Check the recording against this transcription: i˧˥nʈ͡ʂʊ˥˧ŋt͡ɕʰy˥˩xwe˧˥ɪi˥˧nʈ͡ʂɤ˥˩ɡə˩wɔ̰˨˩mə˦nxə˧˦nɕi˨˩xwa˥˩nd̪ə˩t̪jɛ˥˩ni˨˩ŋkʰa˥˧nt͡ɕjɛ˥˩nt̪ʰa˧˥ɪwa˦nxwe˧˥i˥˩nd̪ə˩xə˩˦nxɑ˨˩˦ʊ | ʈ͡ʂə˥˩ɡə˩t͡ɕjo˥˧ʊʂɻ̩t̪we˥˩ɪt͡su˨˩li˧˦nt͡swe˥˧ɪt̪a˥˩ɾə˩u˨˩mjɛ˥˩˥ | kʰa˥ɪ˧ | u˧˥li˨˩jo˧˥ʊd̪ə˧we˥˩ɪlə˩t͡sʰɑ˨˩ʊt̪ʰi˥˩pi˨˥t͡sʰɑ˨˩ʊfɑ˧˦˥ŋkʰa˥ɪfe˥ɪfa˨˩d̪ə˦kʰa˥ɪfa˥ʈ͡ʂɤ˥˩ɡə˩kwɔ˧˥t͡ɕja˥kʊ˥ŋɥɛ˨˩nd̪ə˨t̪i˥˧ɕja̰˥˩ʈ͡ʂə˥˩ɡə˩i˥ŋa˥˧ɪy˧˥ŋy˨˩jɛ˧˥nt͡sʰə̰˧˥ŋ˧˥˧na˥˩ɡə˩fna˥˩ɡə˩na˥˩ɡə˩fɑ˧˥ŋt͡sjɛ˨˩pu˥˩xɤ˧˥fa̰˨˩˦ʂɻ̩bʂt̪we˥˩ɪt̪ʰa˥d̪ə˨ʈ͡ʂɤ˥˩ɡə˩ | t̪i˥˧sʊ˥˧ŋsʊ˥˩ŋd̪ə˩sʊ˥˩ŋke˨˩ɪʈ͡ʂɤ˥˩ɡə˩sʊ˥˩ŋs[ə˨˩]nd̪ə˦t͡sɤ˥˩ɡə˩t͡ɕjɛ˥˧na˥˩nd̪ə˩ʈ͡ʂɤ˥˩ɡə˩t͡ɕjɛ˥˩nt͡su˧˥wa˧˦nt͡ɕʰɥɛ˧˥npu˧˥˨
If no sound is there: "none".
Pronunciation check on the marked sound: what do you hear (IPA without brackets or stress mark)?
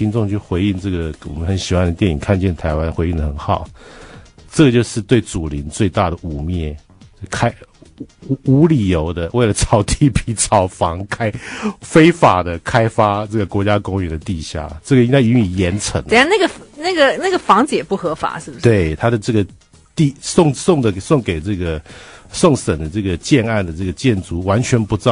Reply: ə˨˩